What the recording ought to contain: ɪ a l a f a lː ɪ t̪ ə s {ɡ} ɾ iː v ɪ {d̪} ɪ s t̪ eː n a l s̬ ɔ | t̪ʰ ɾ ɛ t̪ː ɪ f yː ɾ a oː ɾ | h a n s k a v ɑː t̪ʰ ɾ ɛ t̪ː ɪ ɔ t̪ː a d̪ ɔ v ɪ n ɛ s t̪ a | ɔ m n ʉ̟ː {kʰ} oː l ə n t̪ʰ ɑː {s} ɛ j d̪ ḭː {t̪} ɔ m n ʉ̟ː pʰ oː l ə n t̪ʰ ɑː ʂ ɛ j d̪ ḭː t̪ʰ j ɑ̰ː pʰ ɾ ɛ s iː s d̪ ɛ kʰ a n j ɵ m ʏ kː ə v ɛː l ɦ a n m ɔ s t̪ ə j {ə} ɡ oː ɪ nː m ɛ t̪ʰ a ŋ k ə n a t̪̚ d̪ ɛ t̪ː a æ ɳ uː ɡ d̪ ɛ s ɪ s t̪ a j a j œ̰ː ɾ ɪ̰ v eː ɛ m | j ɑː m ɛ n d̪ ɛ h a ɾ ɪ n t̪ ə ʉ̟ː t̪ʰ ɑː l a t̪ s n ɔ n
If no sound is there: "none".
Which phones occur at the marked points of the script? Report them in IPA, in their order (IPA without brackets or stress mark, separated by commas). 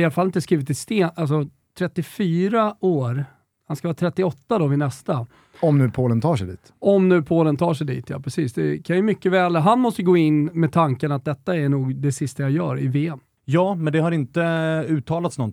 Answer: k, t̪, pʰ, ʂ, t̪, ə